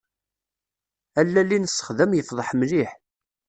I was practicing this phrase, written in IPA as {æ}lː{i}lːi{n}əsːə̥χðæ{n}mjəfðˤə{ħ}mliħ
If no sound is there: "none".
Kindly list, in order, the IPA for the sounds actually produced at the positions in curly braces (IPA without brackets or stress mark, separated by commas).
æ, æ, n, none, ħ